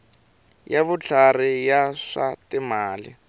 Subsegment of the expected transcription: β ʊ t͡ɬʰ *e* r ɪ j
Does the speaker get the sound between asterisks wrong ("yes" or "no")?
yes